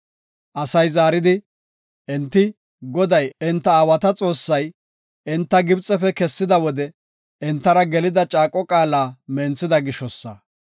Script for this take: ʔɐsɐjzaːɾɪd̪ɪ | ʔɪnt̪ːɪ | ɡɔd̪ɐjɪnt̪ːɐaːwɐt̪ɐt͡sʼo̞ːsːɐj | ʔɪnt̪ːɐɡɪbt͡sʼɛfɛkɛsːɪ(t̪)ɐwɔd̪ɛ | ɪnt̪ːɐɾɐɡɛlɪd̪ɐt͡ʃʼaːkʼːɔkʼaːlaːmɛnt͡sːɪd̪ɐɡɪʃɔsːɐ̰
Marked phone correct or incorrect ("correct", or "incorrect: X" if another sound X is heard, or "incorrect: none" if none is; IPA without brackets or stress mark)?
incorrect: d̪